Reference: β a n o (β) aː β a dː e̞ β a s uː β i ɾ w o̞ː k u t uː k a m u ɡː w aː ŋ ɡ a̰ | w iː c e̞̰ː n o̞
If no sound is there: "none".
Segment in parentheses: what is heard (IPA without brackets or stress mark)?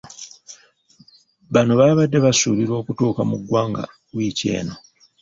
β